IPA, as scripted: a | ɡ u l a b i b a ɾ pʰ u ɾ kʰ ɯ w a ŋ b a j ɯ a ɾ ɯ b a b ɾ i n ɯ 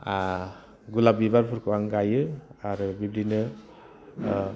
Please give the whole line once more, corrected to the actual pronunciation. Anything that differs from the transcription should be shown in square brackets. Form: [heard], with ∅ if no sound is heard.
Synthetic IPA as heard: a | ɡ u l a b i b a ɾ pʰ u ɾ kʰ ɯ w a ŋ [ɡ] a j ɯ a ɾ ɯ b [i] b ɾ i n ɯ